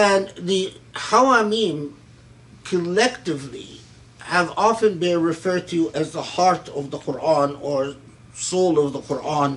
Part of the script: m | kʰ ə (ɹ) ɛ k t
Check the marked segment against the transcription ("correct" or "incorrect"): incorrect